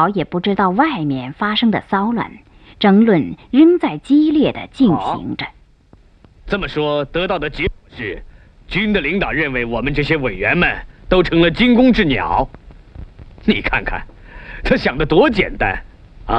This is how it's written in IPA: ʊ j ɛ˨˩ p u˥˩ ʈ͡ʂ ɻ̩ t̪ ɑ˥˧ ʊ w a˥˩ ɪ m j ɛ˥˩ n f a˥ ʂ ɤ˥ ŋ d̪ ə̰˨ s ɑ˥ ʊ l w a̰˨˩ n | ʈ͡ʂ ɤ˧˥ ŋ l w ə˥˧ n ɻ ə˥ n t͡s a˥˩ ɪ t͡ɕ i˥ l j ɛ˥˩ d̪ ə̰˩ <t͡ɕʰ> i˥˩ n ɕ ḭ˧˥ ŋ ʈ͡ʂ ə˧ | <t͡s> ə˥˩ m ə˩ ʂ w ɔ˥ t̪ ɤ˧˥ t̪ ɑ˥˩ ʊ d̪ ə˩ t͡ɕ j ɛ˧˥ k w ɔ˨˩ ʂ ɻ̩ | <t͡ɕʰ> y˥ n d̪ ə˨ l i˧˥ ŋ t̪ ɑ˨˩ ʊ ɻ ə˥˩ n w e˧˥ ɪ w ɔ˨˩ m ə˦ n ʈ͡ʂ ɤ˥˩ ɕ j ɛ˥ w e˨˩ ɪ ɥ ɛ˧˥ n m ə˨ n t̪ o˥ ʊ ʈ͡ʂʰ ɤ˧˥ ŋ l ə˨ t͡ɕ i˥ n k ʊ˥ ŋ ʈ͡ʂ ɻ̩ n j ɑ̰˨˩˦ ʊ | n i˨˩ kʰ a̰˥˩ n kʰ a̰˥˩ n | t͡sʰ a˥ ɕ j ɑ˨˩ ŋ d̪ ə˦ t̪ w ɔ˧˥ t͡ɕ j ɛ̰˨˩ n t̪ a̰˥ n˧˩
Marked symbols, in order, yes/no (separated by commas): no, yes, no